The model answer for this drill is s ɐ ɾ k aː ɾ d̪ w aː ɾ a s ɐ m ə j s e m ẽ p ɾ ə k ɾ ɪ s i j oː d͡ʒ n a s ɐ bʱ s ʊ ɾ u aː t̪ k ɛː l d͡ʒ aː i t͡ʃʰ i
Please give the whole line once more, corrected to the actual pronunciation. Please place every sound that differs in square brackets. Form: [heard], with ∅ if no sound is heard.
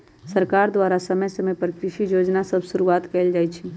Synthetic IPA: s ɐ ɾ k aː ɾ d̪ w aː ɾ a s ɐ m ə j s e m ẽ p ɾ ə k ɾ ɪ [ʃ] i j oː d͡ʒ n a s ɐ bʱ s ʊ ɾ u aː t̪ k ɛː l d͡ʒ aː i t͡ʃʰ i

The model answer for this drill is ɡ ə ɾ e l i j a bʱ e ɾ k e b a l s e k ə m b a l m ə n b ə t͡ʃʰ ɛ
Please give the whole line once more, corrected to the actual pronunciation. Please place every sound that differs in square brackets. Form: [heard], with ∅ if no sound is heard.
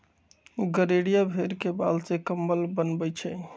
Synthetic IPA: ɡ ə ɾ e [ɽ] i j a bʱ e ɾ k e b a l s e k ə m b [ə] l [b] ə n b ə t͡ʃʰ ɛ

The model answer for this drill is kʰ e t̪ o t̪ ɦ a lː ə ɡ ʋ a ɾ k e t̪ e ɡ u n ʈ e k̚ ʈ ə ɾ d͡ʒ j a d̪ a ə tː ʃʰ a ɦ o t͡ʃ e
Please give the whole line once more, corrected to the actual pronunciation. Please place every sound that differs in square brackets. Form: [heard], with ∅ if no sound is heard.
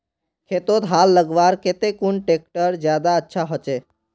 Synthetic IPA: kʰ e t̪ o t̪ ɦ a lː ə ɡ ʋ a ɾ k e t̪ e [k] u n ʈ e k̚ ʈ ə ɾ d͡ʒ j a d̪ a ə tː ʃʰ a ɦ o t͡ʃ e

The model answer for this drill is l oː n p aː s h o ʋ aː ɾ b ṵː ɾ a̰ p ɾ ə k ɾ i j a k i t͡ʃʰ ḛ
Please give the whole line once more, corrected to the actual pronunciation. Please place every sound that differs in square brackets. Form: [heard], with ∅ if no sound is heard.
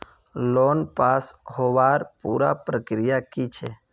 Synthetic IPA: l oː n p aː s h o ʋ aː ɾ [p] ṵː ɾ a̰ p ɾ ə k ɾ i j a k i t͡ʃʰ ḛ

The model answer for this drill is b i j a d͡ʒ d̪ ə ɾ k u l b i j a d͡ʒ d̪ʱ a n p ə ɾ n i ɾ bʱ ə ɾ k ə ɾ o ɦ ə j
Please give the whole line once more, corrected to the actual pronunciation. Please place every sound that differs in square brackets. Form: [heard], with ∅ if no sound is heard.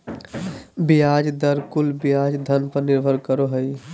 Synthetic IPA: b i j a d͡ʒ d̪ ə ɾ k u l b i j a d͡ʒ d̪ʱ [ə] n p ə ɾ n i ɾ bʱ ə ɾ k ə ɾ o ɦ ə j

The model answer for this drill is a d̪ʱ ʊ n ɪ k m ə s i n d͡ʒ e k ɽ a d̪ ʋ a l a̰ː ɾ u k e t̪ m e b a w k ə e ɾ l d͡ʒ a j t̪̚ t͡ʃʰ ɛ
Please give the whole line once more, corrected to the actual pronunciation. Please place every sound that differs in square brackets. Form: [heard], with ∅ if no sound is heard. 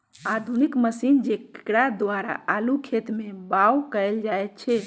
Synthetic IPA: a d̪ʱ [u] n [i] k m ə s i n d͡ʒ e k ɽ a d̪ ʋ a [ɾ] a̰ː [l] u [kʰ] e t̪ m e b a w k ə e [∅] l d͡ʒ a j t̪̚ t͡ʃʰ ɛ

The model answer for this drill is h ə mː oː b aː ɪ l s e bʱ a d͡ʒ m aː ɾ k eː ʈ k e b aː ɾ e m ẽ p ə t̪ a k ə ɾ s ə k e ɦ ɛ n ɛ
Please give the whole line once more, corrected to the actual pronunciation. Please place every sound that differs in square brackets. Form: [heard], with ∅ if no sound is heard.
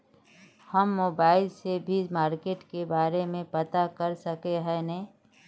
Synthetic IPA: h ə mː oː b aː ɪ l s e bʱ [i] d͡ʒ m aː ɾ k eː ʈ k e b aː ɾ e m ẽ p ə t̪ a k ə ɾ s ə k e ɦ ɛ n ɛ

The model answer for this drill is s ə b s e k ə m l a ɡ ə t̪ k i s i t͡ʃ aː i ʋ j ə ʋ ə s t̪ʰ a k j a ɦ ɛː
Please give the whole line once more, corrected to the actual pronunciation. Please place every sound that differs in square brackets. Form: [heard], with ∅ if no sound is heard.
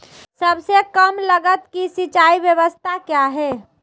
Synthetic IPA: s ə b s e k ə m l [ə] ɡ ə t̪ k i s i t͡ʃ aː i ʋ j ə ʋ ə s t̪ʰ a k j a ɦ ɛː

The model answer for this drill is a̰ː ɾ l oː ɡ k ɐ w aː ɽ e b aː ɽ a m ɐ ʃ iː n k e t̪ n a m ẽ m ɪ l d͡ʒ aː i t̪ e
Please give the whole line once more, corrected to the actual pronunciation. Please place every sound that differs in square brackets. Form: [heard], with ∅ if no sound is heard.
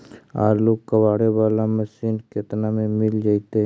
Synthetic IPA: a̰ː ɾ l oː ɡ k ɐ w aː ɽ e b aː [l] a m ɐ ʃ iː n k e t̪ n a m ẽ m ɪ l d͡ʒ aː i t̪ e

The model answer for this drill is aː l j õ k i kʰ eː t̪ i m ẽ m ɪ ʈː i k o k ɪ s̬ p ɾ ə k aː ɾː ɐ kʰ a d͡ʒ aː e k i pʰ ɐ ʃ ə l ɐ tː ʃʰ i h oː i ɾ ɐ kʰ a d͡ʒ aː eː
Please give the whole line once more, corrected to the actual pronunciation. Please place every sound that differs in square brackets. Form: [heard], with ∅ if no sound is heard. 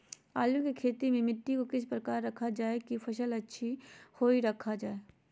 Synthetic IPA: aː l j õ k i kʰ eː t̪ i m ẽ m ɪ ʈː i k o k ɪ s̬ p ɾ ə k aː ɾː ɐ kʰ a d͡ʒ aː e k i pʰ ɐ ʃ ə l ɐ tː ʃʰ i h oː i ɾ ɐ kʰ a d͡ʒ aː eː

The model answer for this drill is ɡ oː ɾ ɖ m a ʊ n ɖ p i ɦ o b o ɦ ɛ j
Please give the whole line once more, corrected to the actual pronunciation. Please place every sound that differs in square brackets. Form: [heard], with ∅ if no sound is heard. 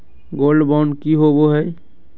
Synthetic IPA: ɡ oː [l] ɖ [b] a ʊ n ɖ [k] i ɦ o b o ɦ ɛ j

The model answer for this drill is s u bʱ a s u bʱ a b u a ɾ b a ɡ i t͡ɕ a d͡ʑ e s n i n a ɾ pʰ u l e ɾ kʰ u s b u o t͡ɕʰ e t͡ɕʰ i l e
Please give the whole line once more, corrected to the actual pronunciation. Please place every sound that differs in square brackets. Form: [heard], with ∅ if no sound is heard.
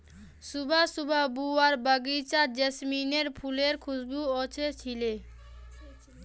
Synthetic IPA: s u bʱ a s u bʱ a b u a ɾ b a ɡ i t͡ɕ a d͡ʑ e s [m] i n [e] ɾ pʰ u l e ɾ kʰ u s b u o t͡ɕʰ e t͡ɕʰ i l e

